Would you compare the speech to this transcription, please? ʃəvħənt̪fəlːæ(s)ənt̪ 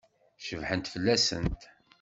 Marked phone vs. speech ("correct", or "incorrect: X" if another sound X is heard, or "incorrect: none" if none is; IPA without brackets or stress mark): correct